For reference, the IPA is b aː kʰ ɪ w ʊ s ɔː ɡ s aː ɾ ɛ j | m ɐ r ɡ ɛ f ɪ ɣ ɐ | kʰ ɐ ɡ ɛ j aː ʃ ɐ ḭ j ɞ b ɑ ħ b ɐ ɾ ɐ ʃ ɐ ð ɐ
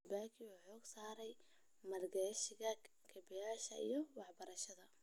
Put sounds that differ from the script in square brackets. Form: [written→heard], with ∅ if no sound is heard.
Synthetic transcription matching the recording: b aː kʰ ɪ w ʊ [s→ħ] ɔː ɡ s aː ɾ ɛ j | m ɐ r ɡ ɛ [f→ʃ] ɪ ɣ ɐ | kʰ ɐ [ɡ→b] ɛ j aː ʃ ɐ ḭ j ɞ [b→w] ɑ ħ b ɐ ɾ ɐ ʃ ɐ ð ɐ